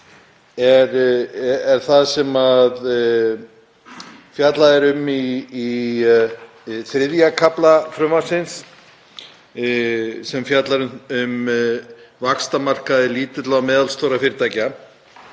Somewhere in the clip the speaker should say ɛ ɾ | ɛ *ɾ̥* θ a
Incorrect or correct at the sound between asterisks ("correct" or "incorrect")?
correct